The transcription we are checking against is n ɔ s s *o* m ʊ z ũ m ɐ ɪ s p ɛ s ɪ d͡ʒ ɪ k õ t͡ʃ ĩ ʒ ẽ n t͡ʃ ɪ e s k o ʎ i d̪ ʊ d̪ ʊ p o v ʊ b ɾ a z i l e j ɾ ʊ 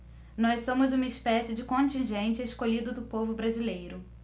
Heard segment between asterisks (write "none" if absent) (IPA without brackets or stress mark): õ